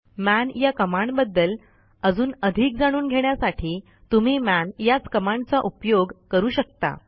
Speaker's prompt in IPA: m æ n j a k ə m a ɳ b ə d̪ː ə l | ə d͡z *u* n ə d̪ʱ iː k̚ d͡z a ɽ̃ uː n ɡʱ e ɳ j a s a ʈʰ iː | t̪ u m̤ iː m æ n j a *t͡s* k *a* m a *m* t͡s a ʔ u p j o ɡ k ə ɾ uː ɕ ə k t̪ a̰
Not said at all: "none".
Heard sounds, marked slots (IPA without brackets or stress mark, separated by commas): uː, t͡s, ə, ɳ